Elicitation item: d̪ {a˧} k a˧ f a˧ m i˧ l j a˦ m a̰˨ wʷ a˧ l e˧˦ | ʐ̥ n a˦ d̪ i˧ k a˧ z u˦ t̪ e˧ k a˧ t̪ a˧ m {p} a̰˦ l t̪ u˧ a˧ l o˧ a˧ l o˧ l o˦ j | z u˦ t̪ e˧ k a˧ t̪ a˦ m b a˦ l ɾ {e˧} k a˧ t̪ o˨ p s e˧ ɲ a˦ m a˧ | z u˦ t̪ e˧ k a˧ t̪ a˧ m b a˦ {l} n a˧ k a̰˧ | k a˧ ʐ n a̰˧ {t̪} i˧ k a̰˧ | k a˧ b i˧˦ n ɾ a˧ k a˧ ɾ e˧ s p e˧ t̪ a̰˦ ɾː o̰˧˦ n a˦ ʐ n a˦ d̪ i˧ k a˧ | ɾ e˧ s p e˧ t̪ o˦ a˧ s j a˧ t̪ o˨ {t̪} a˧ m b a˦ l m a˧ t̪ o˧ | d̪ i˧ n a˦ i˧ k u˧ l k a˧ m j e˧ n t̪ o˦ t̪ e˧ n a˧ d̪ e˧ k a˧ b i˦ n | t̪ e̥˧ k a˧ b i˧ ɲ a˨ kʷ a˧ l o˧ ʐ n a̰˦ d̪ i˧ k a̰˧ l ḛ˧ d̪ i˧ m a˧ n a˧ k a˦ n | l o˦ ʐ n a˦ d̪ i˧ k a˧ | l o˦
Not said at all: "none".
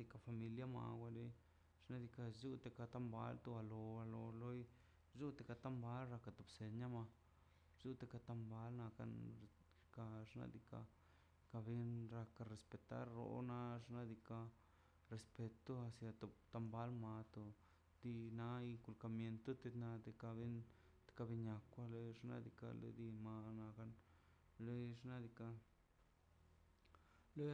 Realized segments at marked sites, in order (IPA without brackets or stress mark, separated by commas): i˧, b, a˧, l, d̪, t̪